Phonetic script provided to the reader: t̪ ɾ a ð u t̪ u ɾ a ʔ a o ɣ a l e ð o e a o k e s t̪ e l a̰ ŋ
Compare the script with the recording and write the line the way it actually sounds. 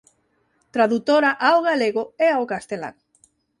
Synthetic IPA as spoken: t̪ ɾ a ð u t̪ o ɾ a ʔ a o ɣ a l e ɣ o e a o k a s t̪ e l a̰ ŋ